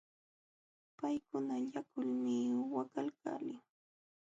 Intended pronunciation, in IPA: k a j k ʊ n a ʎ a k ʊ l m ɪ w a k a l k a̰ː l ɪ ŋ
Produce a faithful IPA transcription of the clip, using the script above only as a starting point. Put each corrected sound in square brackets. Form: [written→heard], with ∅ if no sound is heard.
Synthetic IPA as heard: [k→p] a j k ʊ n a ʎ a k ʊ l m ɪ w a k a l k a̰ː l ɪ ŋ